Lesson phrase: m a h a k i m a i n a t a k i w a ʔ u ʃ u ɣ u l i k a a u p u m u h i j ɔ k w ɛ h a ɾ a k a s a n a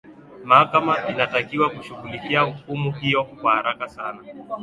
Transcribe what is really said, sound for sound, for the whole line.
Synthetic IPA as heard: m a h a k a m a i n a t a k i w a k u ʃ u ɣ u l i k i a u k u m u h i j ɔ k w a h a ɾ a k a s a n a